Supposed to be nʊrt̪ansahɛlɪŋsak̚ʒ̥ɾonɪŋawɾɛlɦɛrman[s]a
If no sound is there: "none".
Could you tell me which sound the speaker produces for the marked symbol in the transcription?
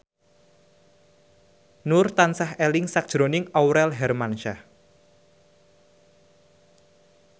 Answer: ʃ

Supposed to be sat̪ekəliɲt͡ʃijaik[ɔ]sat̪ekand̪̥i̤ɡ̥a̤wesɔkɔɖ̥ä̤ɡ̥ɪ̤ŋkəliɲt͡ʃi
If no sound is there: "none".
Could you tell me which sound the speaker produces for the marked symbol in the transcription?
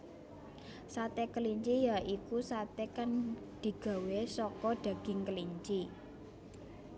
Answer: u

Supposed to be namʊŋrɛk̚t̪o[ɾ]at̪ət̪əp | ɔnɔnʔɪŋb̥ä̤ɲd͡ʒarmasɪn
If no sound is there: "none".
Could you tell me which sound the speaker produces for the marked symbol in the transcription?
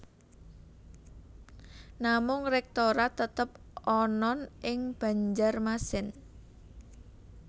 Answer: ɾ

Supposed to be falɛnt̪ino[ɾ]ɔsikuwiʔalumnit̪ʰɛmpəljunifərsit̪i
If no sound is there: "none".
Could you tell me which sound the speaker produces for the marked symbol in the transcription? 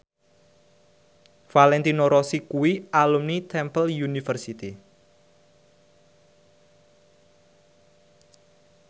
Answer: ɾ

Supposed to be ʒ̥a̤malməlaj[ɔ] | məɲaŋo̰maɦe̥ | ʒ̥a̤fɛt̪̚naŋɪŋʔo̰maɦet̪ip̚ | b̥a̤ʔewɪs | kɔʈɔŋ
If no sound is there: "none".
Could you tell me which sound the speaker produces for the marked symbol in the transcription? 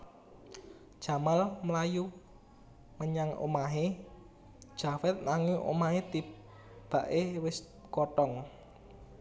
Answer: u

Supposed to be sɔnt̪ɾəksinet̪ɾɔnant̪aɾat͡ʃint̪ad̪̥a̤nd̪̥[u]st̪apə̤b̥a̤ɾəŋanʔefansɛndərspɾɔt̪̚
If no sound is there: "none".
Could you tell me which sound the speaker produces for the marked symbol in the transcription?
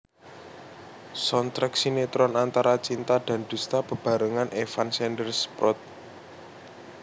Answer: u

